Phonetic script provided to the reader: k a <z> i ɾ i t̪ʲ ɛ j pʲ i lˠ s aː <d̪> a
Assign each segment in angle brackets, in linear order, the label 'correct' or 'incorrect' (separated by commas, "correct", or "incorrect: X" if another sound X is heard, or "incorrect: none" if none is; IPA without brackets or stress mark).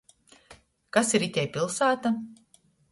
incorrect: s, incorrect: t̪